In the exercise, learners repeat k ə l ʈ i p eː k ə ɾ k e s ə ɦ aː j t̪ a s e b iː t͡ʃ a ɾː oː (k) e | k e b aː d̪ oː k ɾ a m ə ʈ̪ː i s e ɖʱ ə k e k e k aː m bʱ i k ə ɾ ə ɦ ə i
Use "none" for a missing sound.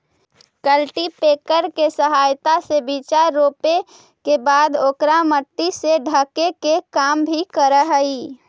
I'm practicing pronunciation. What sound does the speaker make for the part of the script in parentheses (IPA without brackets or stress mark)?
p